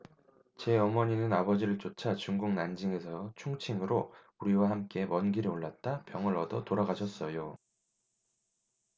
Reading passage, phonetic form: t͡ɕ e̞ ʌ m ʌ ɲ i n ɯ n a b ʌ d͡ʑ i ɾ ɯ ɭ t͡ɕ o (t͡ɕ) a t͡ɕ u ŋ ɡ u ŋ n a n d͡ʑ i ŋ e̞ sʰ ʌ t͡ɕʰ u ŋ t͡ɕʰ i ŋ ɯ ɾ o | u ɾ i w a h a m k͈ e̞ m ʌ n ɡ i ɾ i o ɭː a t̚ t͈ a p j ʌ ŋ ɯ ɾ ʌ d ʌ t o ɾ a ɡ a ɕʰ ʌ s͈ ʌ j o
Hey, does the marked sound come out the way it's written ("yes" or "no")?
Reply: no